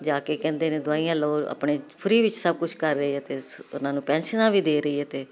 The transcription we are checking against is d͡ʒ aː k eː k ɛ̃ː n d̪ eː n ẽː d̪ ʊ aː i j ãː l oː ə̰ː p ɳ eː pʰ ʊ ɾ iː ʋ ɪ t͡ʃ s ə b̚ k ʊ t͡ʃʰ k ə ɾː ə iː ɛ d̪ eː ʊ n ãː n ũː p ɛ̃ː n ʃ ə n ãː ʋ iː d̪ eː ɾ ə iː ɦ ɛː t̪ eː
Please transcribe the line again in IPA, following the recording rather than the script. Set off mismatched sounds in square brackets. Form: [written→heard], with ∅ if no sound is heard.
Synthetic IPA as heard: d͡ʒ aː k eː k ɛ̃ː n d̪ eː n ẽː d̪ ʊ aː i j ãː l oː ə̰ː p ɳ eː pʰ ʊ ɾ iː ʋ ɪ t͡ʃ s ə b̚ k ʊ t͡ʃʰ k ə ɾː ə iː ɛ [d̪→t̪] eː ʊ n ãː n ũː p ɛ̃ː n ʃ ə n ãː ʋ iː d̪ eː ɾ ə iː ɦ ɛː t̪ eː